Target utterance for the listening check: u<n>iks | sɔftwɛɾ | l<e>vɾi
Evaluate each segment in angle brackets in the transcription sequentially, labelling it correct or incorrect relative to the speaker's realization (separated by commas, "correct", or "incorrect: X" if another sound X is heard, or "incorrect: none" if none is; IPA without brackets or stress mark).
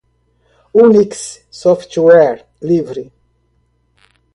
correct, incorrect: i